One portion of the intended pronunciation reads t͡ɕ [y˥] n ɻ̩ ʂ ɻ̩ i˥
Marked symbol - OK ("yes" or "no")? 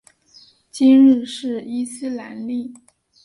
no